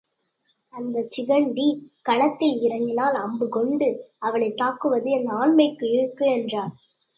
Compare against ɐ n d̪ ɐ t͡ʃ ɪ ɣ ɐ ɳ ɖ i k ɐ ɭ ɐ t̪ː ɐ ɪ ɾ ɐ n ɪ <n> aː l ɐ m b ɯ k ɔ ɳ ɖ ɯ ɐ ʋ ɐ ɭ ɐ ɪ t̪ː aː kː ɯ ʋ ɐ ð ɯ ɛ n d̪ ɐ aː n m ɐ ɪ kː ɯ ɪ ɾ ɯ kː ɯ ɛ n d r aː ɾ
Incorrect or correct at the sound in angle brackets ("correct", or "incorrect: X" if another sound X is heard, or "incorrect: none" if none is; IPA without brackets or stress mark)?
correct